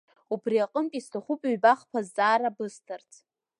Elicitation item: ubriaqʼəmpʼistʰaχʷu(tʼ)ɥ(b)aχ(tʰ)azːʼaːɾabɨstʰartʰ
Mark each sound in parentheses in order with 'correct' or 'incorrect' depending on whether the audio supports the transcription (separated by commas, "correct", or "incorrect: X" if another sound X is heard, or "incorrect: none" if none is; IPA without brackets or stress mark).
incorrect: pʼ, correct, incorrect: pʰ